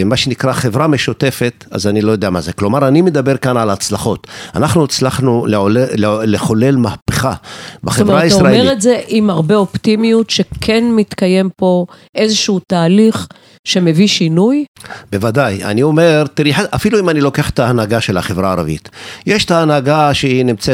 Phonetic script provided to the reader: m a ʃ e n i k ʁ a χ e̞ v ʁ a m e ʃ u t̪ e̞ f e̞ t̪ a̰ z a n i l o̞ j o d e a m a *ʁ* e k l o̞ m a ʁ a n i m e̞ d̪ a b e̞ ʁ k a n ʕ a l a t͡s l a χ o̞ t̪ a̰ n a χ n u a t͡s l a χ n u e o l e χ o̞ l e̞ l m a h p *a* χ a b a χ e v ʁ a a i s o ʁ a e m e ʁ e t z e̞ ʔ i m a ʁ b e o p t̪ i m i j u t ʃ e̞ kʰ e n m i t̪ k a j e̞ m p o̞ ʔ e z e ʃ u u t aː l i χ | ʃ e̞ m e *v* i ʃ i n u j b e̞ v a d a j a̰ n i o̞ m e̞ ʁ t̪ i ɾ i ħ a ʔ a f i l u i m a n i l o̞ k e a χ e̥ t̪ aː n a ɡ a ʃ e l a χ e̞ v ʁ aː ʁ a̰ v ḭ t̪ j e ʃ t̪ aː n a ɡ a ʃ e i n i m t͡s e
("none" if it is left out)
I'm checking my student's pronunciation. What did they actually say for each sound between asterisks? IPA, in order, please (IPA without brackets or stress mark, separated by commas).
z, e, v